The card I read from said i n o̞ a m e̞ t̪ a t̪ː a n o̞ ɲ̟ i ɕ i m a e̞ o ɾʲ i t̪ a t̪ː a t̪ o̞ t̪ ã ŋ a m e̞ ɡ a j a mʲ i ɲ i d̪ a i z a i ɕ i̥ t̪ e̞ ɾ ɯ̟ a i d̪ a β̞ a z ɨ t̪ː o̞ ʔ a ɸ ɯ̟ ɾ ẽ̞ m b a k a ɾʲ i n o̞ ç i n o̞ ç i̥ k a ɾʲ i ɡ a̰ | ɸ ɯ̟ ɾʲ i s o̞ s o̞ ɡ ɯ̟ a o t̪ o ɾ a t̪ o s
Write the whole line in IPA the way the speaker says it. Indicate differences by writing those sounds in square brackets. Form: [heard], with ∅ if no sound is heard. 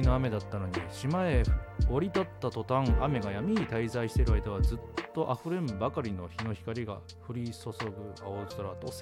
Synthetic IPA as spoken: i n o̞ a m e̞ [d̪] a t̪ː a n o̞ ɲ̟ i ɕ i m a e̞ o ɾʲ i t̪ a t̪ː a t̪ o̞ t̪ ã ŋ a m e̞ ɡ a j a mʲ i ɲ i [t̪] a i z a i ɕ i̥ t̪ e̞ ɾ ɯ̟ a i d̪ a β̞ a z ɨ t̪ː o̞ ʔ a ɸ ɯ̟ ɾ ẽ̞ m b a k a ɾʲ i n o̞ ç i n o̞ ç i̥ k a ɾʲ i ɡ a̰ | ɸ ɯ̟ ɾʲ i s o̞ s o̞ ɡ ɯ̟ a o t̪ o ɾ a t̪ o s